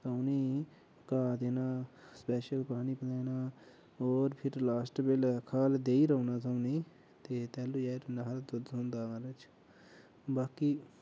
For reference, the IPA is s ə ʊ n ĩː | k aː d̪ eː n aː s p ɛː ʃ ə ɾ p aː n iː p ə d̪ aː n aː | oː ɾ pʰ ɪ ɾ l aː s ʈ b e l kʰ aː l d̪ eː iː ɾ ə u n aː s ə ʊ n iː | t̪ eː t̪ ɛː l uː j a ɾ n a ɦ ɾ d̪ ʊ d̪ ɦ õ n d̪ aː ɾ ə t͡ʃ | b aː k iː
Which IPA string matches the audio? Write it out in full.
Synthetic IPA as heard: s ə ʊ n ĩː | k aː d̪ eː n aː s p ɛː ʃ ə l p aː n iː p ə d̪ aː n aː | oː ɾ pʰ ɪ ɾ l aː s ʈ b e l kʰ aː l d̪ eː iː ɾ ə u n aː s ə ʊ n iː | t̪ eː t̪ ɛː l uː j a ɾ n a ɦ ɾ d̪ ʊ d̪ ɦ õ n d̪ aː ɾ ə t͡ʃ | b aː k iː